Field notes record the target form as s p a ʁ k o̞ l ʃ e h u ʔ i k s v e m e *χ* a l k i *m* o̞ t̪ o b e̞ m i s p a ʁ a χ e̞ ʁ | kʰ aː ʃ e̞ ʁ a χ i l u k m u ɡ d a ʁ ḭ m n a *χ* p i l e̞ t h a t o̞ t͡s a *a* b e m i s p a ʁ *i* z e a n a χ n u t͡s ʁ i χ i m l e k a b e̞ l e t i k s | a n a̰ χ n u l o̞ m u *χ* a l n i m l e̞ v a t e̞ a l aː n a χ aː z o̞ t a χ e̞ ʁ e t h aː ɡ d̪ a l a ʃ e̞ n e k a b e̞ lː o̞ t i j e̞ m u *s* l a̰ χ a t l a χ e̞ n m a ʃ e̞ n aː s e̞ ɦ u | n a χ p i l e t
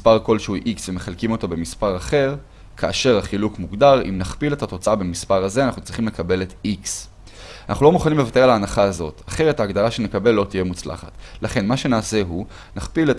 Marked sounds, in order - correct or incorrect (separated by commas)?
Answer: correct, correct, correct, correct, incorrect, correct, incorrect